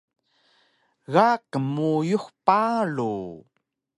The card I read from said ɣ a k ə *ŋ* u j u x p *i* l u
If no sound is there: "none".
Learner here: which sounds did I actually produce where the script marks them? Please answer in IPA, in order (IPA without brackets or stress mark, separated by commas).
m, a